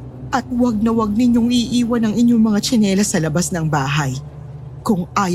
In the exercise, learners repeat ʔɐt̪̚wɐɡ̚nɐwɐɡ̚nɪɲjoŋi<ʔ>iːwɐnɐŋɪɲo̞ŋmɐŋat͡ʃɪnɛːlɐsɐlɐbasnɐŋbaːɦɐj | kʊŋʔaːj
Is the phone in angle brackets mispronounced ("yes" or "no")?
no